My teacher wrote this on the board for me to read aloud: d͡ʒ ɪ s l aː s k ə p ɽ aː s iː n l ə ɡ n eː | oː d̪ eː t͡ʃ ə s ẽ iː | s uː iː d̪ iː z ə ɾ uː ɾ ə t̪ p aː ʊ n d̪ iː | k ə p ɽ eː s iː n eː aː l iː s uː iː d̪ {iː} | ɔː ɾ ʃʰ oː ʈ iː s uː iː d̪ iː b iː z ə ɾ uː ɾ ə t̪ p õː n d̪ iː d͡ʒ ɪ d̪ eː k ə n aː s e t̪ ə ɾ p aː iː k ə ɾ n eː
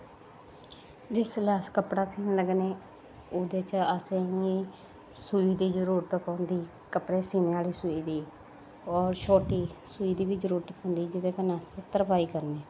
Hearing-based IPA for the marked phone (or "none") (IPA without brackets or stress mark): iː